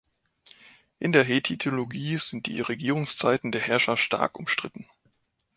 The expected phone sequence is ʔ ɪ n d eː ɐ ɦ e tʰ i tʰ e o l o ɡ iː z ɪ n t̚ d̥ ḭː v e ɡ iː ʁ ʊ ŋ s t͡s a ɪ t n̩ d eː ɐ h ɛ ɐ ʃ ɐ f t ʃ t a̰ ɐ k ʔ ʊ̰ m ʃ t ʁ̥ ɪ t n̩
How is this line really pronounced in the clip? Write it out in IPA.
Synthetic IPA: ʔ ɪ n d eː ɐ ɦ e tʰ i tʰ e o l o ɡ iː z ɪ n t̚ d̥ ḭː ʁ e ɡ iː ʁ ʊ ŋ s t͡s a ɪ t n̩ d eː ɐ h ɛ ɐ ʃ ɐ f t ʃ t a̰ ɐ k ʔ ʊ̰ m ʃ t ʁ̥ ɪ t n̩